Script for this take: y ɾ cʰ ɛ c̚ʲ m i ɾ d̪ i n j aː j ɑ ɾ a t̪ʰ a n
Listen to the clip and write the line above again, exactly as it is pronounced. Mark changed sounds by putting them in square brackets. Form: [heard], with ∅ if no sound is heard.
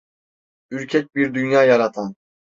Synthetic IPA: y ɾ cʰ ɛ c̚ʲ [b] i ɾ d̪ [y] n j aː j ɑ ɾ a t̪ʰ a n